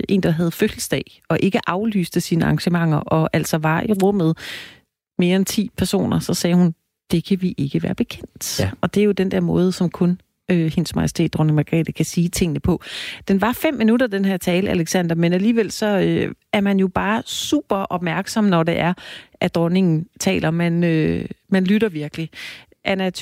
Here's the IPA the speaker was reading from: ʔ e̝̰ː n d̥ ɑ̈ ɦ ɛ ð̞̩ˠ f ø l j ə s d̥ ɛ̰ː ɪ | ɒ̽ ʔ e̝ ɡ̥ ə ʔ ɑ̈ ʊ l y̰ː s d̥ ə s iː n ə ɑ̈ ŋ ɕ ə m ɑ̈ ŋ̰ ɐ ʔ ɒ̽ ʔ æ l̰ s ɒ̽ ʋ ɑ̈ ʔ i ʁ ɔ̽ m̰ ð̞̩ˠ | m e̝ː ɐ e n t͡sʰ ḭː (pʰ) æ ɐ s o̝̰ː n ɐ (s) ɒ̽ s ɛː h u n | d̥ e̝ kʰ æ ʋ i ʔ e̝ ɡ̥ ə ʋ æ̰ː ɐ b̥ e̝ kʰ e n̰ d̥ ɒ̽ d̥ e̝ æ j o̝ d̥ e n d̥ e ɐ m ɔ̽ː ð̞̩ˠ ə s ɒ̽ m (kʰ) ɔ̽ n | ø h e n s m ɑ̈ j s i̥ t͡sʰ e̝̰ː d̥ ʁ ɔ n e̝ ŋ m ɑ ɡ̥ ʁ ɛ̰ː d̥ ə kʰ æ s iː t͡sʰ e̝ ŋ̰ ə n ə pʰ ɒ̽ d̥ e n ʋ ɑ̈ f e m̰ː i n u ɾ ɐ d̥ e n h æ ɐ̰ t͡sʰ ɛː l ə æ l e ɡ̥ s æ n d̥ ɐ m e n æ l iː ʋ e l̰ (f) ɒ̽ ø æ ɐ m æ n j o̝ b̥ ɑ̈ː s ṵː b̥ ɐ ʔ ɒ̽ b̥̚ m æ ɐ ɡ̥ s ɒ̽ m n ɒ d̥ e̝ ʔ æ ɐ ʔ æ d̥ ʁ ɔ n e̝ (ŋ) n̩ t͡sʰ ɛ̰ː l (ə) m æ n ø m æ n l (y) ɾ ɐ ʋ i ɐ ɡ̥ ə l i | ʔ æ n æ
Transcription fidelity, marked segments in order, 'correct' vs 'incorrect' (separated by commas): correct, correct, correct, incorrect, correct, incorrect, correct